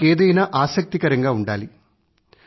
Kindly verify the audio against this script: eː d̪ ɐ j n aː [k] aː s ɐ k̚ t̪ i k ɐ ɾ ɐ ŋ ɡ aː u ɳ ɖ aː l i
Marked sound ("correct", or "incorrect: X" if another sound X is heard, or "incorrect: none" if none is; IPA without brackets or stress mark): incorrect: ʔ